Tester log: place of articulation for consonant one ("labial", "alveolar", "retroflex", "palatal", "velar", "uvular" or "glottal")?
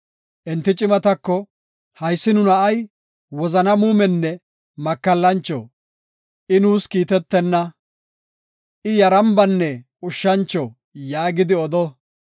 glottal